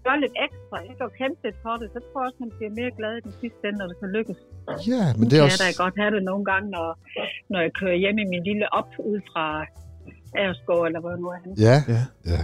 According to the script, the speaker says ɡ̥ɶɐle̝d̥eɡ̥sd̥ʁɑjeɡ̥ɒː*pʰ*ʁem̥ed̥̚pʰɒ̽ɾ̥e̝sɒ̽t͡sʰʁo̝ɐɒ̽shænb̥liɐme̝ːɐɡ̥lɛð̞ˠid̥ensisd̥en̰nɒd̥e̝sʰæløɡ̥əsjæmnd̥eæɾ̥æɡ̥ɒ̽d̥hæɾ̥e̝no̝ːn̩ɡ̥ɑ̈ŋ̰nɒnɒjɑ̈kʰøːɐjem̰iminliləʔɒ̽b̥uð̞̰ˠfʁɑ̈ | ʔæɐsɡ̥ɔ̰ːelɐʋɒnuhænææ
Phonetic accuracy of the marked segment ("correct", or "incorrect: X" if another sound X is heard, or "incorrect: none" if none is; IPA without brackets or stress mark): incorrect: kʰ